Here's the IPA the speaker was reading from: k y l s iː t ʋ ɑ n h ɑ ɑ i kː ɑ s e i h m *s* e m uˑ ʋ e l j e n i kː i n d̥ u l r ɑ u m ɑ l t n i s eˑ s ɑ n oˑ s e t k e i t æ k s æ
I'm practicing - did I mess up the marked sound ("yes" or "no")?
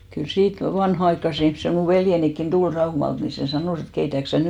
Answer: no